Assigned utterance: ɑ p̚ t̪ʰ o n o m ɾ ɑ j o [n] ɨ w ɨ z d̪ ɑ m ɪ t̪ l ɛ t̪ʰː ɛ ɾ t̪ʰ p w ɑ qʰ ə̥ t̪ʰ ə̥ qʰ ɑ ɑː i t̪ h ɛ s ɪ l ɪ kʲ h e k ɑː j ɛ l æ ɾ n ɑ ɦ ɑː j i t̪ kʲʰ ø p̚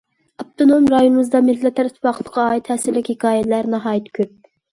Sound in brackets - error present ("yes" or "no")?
no